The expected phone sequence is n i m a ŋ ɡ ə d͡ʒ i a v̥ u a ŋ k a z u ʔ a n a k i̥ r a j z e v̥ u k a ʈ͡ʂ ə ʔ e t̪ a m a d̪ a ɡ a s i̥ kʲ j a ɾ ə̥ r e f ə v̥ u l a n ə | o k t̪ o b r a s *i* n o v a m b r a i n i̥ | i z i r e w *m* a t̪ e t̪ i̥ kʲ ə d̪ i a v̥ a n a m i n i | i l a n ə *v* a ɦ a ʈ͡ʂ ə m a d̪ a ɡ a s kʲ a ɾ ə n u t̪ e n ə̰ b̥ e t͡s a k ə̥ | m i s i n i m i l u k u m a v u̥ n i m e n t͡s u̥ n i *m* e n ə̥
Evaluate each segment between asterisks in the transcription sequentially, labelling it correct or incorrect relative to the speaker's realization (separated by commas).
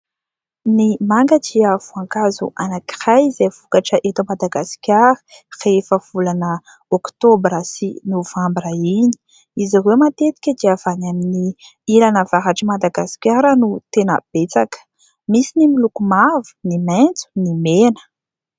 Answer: correct, correct, correct, correct